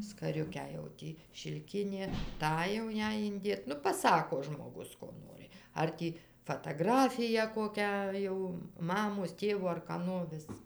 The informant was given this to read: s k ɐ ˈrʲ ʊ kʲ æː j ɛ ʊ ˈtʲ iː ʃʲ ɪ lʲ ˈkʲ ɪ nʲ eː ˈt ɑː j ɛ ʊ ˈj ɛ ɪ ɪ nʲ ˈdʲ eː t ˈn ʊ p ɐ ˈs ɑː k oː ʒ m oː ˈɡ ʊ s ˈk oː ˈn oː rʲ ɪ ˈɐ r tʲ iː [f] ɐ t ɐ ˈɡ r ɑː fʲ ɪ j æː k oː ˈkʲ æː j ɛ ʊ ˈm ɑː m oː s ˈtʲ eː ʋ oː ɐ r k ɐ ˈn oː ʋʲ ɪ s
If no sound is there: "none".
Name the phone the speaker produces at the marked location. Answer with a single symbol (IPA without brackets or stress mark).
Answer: f